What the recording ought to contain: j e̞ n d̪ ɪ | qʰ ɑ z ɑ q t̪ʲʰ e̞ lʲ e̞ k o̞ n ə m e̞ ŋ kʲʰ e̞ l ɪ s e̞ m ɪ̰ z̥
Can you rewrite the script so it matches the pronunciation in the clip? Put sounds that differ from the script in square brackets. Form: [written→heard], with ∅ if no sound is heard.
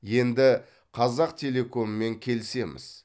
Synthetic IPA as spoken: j e̞ n d̪ ɪ | qʰ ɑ z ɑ q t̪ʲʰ e̞ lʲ e̞ k o̞ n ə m e̞ ŋ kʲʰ e̞ l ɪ s e̞ m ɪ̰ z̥